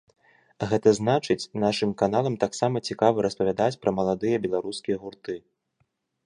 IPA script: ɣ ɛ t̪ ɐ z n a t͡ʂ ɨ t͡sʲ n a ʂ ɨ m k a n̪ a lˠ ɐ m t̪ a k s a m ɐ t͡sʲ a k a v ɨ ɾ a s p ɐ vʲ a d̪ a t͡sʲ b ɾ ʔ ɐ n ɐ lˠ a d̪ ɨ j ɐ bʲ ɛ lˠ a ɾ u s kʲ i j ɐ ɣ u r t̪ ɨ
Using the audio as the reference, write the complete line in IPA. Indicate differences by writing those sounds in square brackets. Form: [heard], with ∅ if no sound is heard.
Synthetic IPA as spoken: ɣ ɛ t̪ ɐ z n a t͡ʂ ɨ t͡sʲ n a ʂ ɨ m k a n̪ a lˠ ɐ m t̪ a k s a m ɐ t͡sʲ [i] k a v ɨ ɾ [ɐ] s p ɐ vʲ a d̪ a t͡sʲ [p] ɾ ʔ ɐ [m] ɐ lˠ a d̪ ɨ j ɐ bʲ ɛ lˠ a ɾ u s kʲ i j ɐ ɣ u r t̪ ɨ

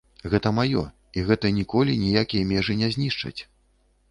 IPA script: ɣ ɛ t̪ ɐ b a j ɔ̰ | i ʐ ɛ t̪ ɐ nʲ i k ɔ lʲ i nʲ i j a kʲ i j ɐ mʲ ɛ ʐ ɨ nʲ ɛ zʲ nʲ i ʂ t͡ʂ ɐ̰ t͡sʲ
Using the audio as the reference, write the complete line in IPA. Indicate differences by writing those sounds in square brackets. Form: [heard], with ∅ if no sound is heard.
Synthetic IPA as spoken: ɣ ɛ t̪ ɐ [m] a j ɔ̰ | i [ɣ] ɛ t̪ ɐ nʲ i k ɔ lʲ i nʲ i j a kʲ i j ɐ mʲ ɛ ʐ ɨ nʲ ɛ zʲ nʲ i ʂ t͡ʂ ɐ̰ t͡sʲ

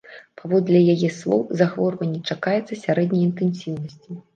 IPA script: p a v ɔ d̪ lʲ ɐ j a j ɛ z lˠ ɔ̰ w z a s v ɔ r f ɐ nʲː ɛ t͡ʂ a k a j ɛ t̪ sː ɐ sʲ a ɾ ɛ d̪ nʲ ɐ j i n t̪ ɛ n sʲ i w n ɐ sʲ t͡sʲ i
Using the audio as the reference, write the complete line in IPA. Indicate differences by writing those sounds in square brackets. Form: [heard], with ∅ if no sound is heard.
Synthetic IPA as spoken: p a v ɔ d̪ lʲ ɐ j a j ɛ [s] lˠ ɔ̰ w z a [x] v ɔ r [v] ɐ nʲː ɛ t͡ʂ a k a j ɛ t̪ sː ɐ sʲ a ɾ ɛ d̪ nʲ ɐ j i n t̪ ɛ n sʲ i w n ɐ sʲ t͡sʲ i

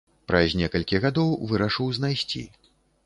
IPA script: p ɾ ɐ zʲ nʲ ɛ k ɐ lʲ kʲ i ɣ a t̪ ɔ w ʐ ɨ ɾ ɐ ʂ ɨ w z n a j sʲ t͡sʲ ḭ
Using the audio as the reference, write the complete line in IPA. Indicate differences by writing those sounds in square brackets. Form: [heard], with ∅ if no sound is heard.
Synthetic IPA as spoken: p ɾ ɐ zʲ nʲ ɛ k ɐ lʲ kʲ i ɣ a [d̪] ɔ w [v] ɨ ɾ ɐ ʂ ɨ w z n a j sʲ t͡sʲ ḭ

